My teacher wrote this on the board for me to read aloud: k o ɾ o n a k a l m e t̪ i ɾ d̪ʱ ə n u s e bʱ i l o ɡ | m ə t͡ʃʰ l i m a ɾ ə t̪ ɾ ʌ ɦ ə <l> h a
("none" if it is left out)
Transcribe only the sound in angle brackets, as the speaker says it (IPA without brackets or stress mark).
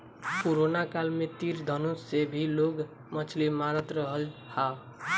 l